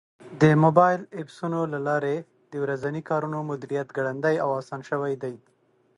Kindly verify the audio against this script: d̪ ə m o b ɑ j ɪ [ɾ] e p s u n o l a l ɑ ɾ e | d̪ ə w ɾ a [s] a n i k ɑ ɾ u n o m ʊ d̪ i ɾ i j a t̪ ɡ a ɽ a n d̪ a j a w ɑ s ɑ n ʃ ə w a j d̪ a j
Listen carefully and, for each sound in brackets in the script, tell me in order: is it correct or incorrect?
incorrect, incorrect

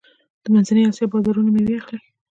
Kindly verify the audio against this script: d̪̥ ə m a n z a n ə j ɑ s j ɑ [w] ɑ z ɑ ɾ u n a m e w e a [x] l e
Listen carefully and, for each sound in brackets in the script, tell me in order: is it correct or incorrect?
incorrect, correct

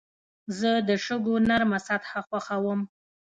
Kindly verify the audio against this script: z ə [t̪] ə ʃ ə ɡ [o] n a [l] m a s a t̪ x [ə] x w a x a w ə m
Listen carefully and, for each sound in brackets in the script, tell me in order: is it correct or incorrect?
incorrect, correct, incorrect, incorrect

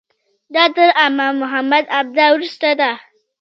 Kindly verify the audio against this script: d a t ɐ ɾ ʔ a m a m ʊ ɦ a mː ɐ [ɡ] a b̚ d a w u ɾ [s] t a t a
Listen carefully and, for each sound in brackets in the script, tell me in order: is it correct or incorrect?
incorrect, correct

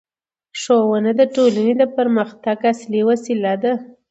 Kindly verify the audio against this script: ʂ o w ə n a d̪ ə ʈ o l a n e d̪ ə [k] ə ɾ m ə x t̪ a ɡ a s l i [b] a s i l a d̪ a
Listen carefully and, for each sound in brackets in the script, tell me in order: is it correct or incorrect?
incorrect, incorrect

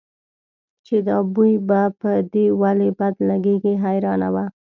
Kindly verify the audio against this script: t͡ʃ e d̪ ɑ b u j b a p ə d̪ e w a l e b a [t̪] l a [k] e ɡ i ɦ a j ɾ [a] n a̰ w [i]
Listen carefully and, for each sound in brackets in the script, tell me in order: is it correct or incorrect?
incorrect, incorrect, incorrect, incorrect

